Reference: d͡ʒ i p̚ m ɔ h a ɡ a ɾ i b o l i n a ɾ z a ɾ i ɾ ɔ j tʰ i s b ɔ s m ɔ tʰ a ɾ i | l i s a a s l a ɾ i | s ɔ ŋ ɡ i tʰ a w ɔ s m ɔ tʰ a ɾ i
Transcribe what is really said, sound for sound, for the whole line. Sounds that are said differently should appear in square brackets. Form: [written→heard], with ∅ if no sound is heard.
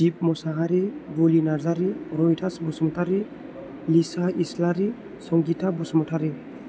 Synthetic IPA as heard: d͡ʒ i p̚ m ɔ [h→s] a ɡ a ɾ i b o l i n a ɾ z a ɾ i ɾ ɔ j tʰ [i→a] s b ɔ s m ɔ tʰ a ɾ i | l i s a [a→i] s l a ɾ i | s ɔ ŋ ɡ i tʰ a [w→b] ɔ s m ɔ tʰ a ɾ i